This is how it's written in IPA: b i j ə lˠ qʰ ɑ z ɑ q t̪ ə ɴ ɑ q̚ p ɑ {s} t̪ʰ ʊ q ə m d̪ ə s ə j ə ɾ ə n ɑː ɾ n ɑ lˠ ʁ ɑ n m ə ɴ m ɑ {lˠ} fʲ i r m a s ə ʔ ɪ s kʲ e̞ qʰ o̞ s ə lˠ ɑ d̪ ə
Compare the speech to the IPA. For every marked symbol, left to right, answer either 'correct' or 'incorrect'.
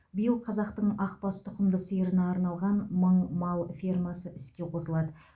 correct, correct

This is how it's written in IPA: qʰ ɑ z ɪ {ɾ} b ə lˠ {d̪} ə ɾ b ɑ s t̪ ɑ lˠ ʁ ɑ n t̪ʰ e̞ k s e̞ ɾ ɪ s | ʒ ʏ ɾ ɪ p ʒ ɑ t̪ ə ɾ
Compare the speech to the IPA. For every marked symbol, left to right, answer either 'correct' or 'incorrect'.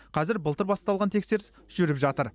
correct, incorrect

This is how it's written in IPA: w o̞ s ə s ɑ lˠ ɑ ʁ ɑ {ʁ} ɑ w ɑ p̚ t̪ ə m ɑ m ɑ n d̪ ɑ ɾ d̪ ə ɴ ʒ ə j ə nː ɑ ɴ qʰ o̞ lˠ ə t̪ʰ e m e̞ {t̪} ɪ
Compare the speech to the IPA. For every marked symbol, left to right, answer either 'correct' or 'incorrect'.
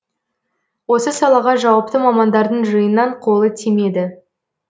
incorrect, incorrect

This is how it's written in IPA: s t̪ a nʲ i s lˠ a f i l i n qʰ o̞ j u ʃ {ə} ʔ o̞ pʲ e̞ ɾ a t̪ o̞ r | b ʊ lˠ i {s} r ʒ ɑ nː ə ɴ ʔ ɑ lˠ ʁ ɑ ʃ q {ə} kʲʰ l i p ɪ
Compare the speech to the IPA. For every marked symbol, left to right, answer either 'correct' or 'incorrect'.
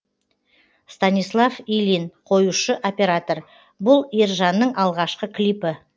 correct, incorrect, correct

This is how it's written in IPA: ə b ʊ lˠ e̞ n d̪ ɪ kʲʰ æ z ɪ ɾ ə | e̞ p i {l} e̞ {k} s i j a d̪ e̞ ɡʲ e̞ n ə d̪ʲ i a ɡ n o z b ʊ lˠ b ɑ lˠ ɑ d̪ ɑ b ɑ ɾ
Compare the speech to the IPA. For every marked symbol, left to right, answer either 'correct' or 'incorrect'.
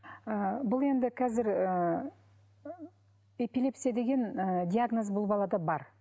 correct, incorrect

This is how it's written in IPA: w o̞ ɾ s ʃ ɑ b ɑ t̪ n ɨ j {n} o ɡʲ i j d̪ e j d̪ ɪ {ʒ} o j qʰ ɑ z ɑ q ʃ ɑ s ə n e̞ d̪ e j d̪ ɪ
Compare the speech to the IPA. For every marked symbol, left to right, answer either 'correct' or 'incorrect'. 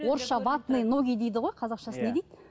correct, incorrect

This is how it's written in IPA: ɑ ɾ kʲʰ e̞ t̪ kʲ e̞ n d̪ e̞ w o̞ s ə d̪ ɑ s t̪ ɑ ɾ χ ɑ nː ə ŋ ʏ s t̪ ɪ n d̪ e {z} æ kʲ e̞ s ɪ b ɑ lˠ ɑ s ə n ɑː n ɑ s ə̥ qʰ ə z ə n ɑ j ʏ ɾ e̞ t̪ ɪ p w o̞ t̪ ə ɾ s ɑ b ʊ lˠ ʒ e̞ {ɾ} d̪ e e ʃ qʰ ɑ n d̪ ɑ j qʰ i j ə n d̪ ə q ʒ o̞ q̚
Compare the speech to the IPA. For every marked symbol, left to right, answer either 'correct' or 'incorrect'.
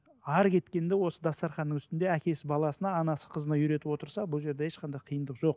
incorrect, correct

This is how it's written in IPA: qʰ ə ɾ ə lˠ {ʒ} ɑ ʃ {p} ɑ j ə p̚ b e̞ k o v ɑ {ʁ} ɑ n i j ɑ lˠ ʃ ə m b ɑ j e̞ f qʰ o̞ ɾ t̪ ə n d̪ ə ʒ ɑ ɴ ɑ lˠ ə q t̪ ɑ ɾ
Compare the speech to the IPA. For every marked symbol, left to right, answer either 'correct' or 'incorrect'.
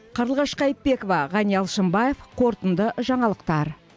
incorrect, incorrect, correct

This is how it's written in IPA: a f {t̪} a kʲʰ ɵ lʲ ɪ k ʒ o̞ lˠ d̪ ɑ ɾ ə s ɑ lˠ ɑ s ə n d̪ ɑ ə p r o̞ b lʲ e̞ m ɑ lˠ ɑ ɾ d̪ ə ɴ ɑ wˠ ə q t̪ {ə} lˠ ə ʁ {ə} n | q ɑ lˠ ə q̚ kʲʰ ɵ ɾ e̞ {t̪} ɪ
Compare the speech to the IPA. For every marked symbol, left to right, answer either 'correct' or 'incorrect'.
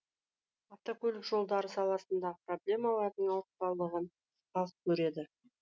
correct, incorrect, correct, incorrect

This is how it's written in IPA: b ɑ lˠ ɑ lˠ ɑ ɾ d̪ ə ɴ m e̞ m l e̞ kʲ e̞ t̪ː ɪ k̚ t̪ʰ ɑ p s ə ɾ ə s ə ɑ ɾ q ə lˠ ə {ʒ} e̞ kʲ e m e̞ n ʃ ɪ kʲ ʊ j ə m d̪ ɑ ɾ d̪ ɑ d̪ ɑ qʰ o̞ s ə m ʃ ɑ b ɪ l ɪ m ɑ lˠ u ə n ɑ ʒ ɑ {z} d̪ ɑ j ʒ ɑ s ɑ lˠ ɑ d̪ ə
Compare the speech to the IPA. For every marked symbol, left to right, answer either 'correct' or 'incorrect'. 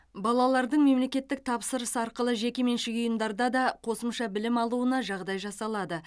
correct, incorrect

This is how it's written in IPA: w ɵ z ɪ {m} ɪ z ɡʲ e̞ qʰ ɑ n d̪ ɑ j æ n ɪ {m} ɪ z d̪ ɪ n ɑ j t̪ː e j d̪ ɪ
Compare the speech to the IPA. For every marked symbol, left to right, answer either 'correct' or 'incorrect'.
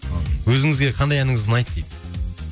incorrect, incorrect

